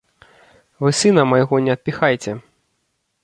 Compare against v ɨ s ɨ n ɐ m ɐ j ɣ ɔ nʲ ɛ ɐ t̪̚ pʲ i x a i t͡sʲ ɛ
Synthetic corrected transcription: v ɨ s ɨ n ɐ m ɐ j ɣ ɔ nʲ ɛ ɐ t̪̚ pʲ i x a j t͡sʲ ɛ